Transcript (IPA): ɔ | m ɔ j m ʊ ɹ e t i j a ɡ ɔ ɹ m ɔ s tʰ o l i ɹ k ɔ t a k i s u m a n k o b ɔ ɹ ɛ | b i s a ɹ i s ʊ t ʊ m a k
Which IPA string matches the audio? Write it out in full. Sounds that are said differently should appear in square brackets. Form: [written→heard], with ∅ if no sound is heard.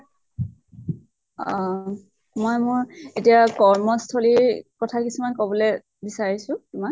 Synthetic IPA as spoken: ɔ | m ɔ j m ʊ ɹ e t i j a [ɡ→k] ɔ ɹ m ɔ s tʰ o l i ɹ k ɔ [t→tʰ] a k i s u m a n k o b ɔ [ɹ→l] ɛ | b i s a ɹ i s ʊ t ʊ m a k